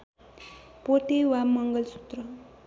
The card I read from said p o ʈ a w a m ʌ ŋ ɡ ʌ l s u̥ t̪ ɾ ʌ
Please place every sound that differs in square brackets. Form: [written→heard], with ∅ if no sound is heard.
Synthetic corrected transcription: p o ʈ [a→e] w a m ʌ ŋ ɡ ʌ l s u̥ t̪ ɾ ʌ